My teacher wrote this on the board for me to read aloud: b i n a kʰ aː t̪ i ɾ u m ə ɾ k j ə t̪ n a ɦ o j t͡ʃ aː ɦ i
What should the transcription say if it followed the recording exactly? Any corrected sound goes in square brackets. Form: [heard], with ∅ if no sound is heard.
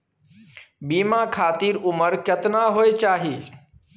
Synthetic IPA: b i [m] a kʰ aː t̪ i ɾ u m ə ɾ k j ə t̪ n a ɦ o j t͡ʃ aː ɦ i